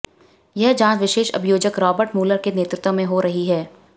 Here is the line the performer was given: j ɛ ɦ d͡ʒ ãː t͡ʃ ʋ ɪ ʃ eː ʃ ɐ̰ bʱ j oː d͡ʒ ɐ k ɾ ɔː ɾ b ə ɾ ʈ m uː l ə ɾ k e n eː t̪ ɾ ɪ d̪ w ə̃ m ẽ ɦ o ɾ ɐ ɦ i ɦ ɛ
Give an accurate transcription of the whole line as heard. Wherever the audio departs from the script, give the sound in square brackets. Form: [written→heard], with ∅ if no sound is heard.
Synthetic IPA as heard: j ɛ ɦ d͡ʒ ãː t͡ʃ ʋ ɪ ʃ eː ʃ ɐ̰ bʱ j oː d͡ʒ [ɐ→ə] k ɾ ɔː [ɾ→∅] b ə ɾ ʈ m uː l ə ɾ k e n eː t̪ ɾ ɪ [d̪→t̪] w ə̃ m ẽ ɦ o ɾ ɐ ɦ i ɦ [ɛ→ɛː]